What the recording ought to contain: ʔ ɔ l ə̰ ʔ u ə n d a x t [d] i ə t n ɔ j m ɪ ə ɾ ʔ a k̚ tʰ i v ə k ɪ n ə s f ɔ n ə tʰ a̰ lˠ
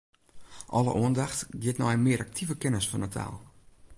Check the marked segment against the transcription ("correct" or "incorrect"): incorrect